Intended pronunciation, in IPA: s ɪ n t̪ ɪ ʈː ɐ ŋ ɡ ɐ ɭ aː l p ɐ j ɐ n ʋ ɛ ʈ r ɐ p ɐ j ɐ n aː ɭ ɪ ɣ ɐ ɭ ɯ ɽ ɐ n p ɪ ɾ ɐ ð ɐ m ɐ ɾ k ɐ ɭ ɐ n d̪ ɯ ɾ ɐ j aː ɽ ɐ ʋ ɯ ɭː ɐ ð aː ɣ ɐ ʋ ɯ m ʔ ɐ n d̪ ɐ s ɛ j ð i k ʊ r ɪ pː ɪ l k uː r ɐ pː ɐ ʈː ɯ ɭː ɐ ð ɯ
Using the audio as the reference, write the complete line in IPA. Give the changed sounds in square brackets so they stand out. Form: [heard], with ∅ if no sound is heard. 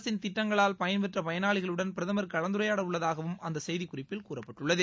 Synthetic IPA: s ɪ n t̪ ɪ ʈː ɐ ŋ ɡ ɐ ɭ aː l p ɐ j ɐ n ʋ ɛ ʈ r ɐ p ɐ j ɐ n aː ɭ ɪ ɣ ɐ ɭ ɯ ɽ ɐ n p ɪ ɾ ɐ ð ɐ m ɐ ɾ k ɐ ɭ ɐ n d̪ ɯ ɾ ɐ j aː ɽ ɐ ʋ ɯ ɭː ɐ ð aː ɣ ɐ ʋ ɯ m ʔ ɐ n d̪ ɐ s ɛ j ð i k ʊ r ɪ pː ɪ l k uː r ɐ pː ɐ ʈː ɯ ɭː ɐ ð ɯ